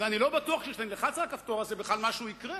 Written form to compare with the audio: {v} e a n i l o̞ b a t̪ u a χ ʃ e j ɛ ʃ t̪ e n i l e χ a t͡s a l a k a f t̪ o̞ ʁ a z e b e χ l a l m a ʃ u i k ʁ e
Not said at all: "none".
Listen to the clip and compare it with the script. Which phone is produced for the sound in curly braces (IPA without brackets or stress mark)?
v